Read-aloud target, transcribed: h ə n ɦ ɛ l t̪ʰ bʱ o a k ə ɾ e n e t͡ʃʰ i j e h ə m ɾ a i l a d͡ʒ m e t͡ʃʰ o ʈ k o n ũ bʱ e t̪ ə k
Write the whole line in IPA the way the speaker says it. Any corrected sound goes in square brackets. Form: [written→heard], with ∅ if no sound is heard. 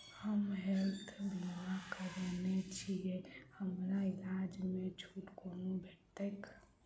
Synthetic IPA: h ə [n→m] ɦ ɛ l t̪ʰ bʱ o a k ə ɾ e n e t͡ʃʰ i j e h ə m ɾ a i l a d͡ʒ m e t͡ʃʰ [o→u] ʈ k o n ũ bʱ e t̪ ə k